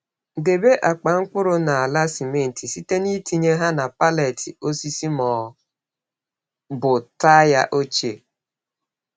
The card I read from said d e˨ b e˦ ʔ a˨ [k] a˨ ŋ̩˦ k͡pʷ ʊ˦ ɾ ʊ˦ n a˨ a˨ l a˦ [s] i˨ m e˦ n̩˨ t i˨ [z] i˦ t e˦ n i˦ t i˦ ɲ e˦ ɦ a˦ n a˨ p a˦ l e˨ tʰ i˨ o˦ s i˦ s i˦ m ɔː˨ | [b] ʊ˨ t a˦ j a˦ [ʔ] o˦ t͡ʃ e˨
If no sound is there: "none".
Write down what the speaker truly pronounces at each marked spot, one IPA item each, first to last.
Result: k͡p, s, s, b, ʔ

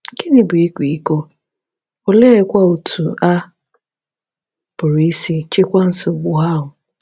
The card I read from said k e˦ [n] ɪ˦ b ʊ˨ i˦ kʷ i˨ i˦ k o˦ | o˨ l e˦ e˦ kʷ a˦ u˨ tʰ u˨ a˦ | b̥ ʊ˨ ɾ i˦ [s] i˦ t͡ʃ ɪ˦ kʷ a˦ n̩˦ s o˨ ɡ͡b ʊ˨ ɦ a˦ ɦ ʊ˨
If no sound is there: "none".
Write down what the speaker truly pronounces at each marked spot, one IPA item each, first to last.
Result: n, s

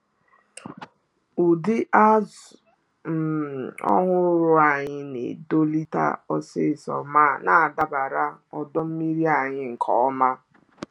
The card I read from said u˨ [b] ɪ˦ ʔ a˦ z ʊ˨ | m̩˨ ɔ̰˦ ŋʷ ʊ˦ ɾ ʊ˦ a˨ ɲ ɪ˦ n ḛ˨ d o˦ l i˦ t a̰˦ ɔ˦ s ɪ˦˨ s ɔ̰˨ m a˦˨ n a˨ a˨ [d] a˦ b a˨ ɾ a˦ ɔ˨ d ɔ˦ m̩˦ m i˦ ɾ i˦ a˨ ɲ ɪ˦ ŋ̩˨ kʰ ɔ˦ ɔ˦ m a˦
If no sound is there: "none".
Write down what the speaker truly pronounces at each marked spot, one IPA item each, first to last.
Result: d, d

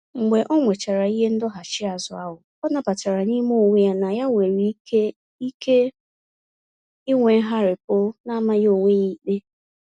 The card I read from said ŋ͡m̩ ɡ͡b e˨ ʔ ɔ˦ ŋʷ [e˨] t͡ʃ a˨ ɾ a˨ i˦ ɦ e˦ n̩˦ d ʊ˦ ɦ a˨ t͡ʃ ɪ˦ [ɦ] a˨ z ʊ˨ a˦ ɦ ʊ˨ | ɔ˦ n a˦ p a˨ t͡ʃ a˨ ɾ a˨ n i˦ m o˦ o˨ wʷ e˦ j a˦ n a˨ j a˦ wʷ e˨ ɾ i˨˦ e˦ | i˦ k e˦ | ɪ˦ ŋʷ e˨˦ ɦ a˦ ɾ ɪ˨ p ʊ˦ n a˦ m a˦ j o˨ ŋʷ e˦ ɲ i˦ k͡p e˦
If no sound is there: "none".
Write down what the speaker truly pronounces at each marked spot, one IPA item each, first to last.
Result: e˨, none

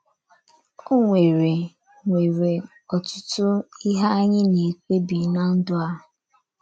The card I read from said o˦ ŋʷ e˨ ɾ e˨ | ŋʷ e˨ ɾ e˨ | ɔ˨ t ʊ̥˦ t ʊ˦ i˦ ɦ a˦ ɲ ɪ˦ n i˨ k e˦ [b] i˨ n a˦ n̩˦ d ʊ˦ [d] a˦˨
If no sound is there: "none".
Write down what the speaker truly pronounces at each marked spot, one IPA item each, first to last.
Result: b, none

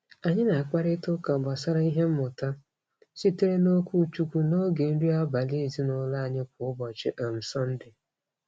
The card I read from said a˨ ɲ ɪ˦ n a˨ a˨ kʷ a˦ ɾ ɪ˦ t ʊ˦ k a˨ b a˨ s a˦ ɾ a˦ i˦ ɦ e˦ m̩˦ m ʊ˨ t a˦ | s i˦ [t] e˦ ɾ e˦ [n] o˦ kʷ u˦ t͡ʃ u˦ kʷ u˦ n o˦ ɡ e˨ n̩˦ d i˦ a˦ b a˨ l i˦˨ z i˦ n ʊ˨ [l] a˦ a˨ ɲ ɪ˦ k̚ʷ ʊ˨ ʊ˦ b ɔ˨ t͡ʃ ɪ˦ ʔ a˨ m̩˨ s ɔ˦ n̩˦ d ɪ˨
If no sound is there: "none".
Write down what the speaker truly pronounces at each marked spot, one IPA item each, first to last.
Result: t, n, l

